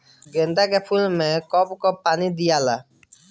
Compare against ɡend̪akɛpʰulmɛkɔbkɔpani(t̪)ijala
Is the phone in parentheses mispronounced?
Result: yes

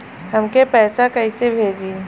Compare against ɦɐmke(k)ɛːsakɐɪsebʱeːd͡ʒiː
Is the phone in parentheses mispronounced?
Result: yes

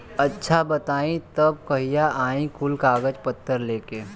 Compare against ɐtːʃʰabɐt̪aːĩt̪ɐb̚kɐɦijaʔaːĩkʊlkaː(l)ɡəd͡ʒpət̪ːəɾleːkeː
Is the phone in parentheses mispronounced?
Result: yes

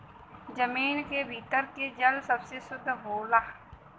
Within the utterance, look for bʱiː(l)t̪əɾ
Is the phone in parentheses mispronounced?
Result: yes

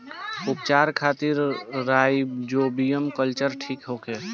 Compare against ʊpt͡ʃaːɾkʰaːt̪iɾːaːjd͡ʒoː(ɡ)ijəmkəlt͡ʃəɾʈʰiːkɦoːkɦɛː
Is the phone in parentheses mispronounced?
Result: yes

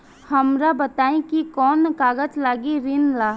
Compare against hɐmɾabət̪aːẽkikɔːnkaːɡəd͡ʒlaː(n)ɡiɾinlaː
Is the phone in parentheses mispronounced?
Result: yes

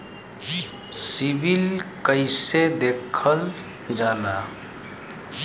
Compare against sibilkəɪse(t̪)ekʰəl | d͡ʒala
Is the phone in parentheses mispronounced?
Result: yes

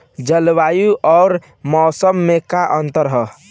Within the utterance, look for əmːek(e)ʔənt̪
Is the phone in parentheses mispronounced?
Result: yes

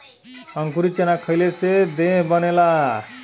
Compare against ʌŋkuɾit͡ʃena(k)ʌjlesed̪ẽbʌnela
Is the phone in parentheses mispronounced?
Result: yes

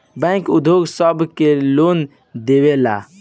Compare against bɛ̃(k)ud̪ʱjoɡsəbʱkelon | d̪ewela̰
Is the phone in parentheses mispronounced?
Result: no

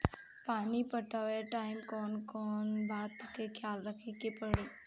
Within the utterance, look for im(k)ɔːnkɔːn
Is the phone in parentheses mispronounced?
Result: no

